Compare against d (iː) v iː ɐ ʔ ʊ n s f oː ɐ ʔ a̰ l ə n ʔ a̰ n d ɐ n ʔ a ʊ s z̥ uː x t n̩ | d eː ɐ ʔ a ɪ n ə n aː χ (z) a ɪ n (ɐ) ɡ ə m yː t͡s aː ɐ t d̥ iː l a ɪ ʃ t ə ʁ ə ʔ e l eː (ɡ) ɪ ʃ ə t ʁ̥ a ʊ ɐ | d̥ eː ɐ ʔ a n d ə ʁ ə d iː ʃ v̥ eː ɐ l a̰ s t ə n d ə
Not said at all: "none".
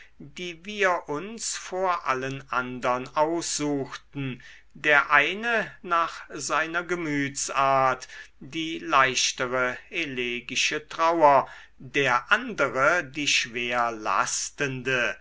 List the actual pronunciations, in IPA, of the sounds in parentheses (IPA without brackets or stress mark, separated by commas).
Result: iː, z, ɐ, ɡ